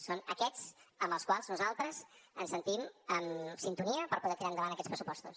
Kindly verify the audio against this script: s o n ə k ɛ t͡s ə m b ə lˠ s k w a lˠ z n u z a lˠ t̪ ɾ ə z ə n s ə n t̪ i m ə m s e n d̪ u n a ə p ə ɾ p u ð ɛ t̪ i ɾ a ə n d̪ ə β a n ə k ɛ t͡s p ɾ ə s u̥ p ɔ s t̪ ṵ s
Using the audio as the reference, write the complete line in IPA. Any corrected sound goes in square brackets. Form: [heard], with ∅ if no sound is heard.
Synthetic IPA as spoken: s o n ə k ɛ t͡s ə m b ə lˠ s k w a lˠ z n u z a lˠ t̪ ɾ ə z ə n s ə n t̪ i m ə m s [i] n [t̪] u n [i] ə p ə ɾ p u ð ɛ t̪ i ɾ a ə n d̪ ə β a n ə k ɛ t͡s p ɾ ə s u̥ p ɔ s t̪ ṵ s